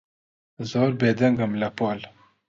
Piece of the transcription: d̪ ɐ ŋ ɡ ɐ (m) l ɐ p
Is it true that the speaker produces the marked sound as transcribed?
yes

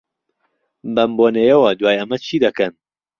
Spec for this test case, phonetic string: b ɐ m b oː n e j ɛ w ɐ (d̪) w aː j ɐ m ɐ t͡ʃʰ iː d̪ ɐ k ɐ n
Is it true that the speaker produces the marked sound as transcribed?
yes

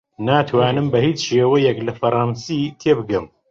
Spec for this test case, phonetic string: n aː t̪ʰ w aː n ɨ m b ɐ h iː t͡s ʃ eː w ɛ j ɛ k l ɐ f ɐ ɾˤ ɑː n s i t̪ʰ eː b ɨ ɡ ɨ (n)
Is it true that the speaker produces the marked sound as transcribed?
no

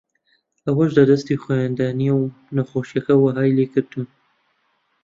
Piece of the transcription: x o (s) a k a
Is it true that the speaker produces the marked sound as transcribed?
no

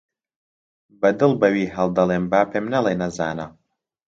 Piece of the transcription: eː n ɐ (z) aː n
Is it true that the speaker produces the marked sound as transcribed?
yes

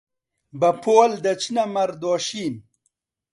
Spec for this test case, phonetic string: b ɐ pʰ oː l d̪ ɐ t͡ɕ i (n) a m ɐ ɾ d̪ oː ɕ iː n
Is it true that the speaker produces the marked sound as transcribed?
yes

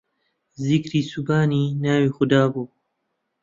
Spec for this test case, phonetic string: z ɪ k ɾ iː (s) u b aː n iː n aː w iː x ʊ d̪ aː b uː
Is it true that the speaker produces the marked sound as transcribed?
yes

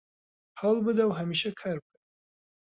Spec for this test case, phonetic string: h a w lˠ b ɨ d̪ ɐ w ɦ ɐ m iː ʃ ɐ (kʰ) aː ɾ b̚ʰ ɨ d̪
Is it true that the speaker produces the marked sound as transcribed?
yes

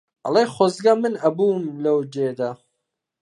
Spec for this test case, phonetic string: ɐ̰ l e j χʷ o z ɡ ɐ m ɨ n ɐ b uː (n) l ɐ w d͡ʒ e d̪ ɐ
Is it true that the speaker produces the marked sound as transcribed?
no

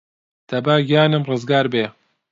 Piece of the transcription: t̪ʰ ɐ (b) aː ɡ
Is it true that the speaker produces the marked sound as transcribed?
yes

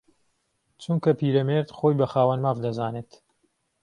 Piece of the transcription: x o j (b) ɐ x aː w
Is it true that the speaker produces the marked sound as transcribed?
yes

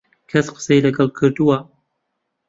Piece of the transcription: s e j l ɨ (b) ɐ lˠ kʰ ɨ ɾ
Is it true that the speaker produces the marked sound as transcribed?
no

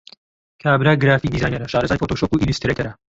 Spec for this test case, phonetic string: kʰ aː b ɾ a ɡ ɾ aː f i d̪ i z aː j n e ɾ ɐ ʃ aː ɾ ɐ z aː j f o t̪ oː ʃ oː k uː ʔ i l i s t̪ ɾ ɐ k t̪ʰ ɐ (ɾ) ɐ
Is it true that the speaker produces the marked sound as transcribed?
yes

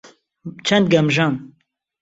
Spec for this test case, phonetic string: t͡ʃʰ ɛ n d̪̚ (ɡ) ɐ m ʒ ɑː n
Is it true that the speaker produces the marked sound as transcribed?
yes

